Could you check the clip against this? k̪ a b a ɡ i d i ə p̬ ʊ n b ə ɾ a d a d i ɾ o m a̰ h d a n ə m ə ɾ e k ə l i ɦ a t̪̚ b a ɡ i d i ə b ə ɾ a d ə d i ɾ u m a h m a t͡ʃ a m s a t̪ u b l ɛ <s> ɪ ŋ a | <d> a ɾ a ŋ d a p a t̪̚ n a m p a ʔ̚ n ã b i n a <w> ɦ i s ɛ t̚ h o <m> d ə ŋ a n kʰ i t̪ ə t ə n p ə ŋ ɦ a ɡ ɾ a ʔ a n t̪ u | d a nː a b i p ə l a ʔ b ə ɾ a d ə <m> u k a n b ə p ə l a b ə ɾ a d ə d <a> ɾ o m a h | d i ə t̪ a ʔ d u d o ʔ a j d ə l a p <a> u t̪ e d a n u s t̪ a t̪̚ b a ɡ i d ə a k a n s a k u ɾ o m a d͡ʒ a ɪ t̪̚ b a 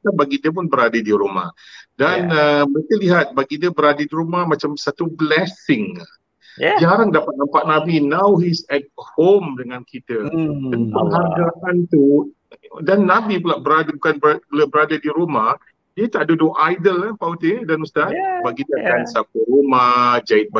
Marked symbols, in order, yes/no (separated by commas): yes, no, yes, yes, no, no, yes